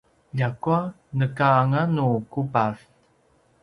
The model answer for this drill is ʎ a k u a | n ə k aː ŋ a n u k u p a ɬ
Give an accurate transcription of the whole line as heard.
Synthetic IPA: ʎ a k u a | n ə k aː ŋ a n u k u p a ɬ